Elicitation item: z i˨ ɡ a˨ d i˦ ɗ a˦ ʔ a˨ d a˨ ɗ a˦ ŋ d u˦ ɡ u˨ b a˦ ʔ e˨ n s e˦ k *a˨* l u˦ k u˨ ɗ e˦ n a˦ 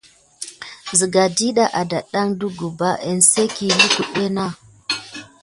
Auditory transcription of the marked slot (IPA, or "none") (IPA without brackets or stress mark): i˨